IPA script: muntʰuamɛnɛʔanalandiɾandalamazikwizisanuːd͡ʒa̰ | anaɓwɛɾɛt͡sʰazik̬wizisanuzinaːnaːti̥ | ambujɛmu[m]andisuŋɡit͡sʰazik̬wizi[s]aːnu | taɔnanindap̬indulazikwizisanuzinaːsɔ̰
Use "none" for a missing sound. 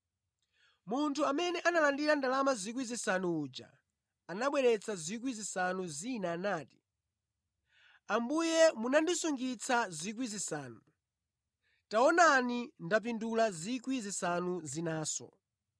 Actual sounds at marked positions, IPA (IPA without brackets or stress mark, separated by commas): n, s